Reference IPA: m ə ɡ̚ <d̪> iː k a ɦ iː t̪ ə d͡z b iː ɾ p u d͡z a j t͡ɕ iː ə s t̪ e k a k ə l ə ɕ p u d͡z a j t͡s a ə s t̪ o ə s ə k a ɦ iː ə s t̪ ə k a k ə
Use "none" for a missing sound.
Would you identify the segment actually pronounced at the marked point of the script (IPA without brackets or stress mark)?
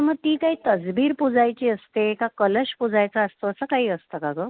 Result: t̪